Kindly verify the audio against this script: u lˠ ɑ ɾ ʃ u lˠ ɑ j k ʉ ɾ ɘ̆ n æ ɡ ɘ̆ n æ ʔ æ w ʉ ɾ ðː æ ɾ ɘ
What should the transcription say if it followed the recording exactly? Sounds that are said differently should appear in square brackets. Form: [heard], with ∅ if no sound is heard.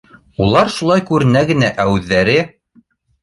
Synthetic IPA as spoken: u lˠ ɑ ɾ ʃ u lˠ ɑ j k ʉ ɾ ɘ̆ n æ ɡ ɘ̆ n æ ʔ æ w ʉ [∅] ðː æ ɾ ɘ